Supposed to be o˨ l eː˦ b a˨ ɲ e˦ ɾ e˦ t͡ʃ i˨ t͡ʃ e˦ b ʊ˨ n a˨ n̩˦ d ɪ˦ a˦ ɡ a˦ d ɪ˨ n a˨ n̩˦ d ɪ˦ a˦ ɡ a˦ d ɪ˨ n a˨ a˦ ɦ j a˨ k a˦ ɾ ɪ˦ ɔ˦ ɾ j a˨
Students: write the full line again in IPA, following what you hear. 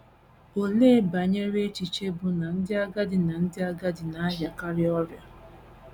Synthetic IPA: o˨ l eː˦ b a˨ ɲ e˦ ɾ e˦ t͡ʃ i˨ t͡ʃ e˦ b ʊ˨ n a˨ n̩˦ d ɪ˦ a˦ ɡ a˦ d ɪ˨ n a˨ n̩˦ d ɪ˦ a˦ ɡ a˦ d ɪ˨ n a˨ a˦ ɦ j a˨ k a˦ ɾ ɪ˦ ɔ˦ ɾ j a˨